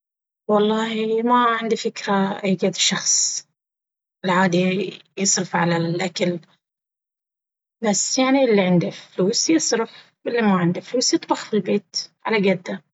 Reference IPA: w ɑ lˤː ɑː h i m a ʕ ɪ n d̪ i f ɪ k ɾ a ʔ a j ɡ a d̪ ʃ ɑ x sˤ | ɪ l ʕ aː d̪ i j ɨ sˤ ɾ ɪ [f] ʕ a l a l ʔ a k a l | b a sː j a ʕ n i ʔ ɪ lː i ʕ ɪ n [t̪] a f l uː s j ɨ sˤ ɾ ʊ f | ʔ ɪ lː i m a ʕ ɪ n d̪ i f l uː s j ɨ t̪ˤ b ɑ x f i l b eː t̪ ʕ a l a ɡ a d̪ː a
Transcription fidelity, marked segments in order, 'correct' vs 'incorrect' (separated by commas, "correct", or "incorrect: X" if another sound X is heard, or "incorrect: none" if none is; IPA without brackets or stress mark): correct, incorrect: d̪